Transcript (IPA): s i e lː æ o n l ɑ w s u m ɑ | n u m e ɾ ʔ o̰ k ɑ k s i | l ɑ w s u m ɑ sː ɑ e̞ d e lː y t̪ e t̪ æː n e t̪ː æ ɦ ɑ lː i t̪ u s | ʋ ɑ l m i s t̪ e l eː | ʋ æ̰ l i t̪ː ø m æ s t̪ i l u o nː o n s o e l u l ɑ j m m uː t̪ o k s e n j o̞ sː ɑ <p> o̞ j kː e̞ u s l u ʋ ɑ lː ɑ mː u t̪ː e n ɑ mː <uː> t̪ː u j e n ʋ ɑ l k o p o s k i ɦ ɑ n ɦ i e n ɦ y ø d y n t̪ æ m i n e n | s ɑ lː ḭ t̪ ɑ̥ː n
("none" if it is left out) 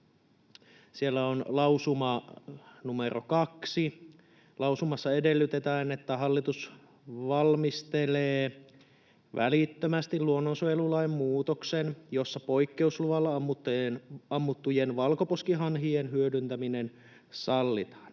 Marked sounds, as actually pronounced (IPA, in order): p, u

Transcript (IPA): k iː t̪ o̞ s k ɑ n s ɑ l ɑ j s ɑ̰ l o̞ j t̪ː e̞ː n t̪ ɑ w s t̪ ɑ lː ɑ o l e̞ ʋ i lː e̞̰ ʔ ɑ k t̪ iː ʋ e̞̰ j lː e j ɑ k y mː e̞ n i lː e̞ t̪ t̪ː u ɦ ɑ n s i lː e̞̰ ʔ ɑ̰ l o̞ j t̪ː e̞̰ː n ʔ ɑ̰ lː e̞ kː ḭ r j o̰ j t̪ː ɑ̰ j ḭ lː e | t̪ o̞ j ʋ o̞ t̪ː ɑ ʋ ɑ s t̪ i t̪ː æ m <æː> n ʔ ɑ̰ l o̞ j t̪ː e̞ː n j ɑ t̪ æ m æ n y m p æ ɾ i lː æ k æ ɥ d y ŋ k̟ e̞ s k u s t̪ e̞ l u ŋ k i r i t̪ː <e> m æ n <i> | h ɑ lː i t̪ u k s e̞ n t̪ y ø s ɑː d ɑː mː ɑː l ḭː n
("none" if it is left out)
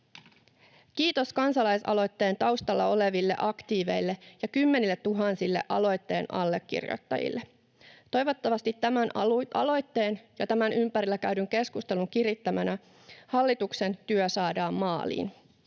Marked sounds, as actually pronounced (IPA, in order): æ, æ, æ

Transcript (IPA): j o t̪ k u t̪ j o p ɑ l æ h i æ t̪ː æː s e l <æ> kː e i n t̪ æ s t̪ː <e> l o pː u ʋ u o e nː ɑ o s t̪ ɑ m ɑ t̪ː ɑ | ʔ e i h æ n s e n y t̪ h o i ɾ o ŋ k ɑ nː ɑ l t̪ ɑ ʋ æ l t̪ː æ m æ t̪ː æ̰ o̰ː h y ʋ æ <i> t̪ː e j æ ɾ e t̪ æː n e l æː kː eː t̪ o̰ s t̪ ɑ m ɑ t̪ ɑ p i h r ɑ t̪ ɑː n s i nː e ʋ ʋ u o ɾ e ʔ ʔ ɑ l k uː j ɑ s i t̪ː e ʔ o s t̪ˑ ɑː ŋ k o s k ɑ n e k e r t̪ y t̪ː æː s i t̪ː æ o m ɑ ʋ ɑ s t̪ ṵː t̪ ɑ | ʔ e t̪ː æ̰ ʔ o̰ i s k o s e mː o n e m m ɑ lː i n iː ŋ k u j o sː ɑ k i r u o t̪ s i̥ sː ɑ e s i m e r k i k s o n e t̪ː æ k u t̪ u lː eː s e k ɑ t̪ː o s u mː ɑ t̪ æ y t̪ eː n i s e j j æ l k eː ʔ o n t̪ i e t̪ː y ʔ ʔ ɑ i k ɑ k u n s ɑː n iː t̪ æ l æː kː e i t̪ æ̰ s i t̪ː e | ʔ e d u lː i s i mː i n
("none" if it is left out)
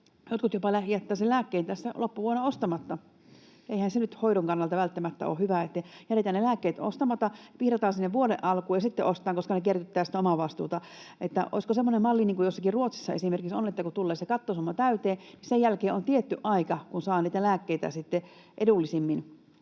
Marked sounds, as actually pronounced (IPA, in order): æː, æ, e

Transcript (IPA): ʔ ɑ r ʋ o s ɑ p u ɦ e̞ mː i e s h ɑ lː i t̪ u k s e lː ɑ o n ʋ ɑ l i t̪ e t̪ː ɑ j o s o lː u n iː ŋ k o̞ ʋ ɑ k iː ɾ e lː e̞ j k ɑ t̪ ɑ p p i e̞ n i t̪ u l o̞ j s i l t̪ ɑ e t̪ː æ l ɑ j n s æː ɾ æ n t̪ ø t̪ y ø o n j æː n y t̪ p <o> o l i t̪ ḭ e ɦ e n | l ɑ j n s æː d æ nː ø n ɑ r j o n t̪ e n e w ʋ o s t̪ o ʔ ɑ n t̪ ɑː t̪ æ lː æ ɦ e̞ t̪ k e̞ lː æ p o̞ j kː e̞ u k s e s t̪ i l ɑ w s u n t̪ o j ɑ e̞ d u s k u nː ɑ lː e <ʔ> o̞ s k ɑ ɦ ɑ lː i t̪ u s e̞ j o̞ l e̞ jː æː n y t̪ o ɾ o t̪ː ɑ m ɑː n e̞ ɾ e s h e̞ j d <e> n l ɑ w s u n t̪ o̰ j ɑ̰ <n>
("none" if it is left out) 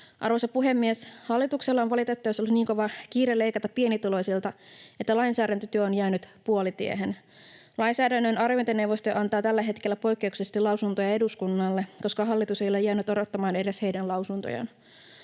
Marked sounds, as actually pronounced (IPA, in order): u, k, æ, n

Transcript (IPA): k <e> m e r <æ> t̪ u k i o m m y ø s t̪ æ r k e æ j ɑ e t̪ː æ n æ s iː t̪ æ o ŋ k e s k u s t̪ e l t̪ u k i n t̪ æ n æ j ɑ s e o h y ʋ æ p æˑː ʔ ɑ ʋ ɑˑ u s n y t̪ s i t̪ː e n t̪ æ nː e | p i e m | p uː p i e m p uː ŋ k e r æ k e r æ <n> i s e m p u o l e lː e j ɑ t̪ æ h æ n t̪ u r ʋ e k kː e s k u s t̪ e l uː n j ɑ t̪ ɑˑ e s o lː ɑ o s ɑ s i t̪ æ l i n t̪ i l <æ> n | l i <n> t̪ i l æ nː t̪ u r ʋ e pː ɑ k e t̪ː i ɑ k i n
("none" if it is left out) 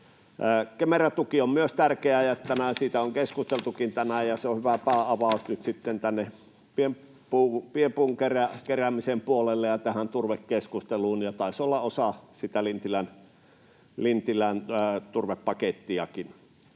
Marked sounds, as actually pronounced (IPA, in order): e, æ, m, æ, n

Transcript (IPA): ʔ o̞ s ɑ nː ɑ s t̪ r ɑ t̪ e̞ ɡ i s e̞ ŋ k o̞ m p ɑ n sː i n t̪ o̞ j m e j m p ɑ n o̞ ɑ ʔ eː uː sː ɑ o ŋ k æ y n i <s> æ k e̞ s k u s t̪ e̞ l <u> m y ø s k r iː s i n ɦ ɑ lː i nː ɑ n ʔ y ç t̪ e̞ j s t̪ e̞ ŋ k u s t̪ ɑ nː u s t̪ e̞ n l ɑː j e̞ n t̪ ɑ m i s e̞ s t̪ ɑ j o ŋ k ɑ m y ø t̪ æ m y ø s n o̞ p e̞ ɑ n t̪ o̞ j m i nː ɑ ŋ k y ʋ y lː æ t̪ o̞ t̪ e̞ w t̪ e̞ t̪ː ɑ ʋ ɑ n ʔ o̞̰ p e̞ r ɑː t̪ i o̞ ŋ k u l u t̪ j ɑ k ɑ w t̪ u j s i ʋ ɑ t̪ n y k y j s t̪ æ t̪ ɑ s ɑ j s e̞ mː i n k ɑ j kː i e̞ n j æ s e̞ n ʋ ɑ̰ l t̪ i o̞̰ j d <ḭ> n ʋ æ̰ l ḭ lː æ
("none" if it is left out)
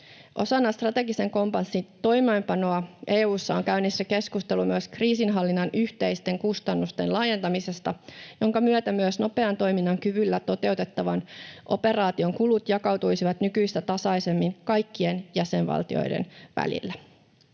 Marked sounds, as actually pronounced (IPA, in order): sː, u, ḛ

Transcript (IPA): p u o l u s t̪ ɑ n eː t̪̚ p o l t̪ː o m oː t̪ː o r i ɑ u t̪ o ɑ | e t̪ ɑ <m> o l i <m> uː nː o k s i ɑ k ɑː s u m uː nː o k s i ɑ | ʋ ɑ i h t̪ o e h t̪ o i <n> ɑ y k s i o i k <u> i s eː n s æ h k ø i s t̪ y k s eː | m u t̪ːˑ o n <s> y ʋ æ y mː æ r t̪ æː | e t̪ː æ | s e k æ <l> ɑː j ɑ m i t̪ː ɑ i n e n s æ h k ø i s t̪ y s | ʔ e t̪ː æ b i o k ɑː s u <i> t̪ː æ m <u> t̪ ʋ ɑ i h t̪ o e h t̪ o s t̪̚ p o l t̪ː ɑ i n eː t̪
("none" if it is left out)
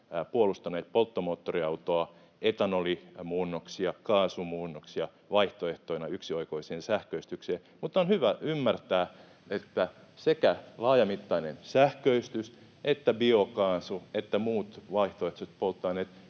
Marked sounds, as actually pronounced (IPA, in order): n, m, n, o, h, l, e, uː

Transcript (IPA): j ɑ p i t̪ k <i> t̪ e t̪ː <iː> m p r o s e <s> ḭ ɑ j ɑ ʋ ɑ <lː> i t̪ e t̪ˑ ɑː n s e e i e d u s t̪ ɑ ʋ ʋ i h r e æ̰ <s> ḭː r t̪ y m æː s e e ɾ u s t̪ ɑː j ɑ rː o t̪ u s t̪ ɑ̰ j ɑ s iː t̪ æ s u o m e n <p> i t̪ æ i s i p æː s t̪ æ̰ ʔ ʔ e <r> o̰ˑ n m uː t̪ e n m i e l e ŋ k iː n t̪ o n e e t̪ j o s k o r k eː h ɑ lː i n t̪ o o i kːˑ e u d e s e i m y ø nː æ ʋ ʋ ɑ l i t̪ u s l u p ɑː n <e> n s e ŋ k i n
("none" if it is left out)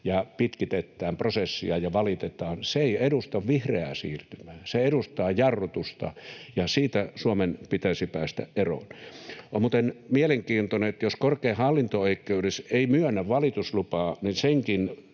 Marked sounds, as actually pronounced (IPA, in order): i, æː, sː, l, s, p, r, i

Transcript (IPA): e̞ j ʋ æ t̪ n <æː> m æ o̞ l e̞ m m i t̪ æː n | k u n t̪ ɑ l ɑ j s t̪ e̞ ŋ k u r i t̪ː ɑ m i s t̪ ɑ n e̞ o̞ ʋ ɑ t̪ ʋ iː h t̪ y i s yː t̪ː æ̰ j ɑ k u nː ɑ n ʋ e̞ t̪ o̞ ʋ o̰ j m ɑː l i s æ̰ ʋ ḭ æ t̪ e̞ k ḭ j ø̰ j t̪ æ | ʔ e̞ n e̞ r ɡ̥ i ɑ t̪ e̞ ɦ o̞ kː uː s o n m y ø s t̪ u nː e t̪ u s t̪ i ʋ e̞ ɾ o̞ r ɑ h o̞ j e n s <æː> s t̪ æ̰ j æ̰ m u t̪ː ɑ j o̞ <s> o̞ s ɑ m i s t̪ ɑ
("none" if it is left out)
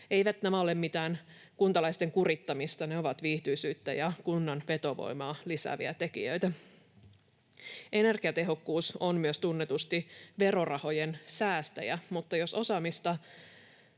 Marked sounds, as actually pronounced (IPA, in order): æ, æː, s

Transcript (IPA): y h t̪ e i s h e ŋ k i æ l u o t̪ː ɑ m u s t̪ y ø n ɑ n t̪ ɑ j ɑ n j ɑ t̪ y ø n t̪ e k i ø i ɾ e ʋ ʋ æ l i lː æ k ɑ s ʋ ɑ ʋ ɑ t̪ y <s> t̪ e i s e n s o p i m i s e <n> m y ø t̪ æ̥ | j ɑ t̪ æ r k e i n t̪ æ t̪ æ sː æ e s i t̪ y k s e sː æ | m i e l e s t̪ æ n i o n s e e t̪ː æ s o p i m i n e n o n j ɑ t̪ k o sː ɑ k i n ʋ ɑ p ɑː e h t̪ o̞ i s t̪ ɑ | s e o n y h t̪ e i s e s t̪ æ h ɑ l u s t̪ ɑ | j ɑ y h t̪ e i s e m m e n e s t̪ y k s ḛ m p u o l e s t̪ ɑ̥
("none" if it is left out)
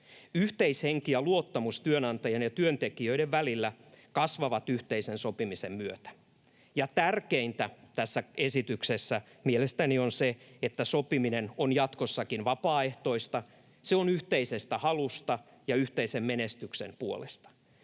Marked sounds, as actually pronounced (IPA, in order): h, m

